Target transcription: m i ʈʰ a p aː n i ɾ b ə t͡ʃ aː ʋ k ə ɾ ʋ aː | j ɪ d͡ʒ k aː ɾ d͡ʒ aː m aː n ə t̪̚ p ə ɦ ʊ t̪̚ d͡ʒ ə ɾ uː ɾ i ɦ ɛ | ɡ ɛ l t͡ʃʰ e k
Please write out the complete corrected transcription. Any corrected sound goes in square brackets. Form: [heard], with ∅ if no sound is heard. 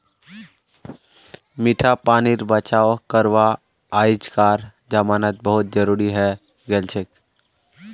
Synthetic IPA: m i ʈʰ a p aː n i ɾ b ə t͡ʃ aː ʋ k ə ɾ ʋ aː | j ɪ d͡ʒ k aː ɾ d͡ʒ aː m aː n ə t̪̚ [b] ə ɦ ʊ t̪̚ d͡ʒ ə ɾ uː ɾ i ɦ ɛ | ɡ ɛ l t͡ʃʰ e k